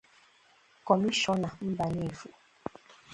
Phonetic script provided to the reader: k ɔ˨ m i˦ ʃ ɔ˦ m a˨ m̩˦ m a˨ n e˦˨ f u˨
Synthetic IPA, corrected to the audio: k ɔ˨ m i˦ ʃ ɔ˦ n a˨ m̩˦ b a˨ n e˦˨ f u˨